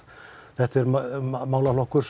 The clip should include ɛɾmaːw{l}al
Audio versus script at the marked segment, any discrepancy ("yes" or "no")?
no